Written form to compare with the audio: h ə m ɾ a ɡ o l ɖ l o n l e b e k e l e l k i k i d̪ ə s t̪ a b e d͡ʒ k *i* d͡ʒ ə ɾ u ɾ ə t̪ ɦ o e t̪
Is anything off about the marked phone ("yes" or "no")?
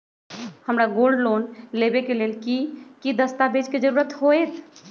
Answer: yes